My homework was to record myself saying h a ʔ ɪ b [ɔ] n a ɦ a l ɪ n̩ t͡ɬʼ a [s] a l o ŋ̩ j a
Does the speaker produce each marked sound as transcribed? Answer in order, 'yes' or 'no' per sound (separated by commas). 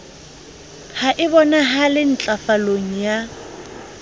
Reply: yes, no